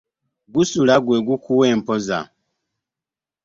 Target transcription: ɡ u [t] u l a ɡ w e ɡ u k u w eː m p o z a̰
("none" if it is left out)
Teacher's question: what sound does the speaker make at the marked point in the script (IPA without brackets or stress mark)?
s